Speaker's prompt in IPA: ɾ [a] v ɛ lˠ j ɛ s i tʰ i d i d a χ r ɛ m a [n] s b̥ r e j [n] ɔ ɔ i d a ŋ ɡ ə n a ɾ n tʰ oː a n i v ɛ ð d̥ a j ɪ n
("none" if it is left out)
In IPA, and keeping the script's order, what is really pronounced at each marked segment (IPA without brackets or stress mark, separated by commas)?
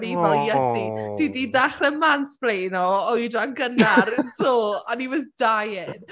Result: i, n, n